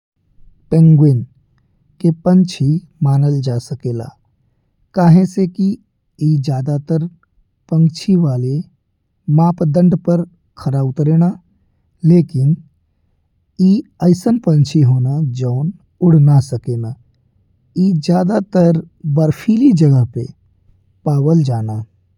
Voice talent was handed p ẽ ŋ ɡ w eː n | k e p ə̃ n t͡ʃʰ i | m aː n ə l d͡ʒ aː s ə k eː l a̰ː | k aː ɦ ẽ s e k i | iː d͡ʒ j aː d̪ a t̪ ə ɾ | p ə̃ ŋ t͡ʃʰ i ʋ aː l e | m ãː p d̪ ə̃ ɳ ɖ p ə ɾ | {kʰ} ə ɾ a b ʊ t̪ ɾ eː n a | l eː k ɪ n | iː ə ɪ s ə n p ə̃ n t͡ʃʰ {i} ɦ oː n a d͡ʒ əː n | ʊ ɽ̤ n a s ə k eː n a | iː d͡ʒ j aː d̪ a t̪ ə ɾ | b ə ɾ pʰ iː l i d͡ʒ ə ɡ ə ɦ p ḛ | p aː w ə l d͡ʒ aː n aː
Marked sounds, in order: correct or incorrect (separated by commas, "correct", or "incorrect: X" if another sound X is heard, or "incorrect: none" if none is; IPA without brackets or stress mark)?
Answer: correct, correct